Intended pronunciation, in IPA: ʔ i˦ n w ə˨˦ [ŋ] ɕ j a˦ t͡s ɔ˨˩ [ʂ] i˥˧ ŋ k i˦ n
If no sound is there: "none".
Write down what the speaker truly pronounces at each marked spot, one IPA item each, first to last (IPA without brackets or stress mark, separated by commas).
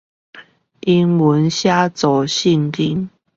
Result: n, ɕ